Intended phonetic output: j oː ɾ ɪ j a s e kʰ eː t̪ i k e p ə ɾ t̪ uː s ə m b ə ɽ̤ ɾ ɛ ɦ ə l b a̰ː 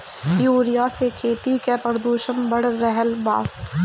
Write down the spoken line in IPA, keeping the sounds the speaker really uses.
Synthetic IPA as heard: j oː ɾ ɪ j a s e kʰ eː t̪ i k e p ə ɾ d̪ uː ʃ ə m b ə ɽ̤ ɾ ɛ ɦ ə l b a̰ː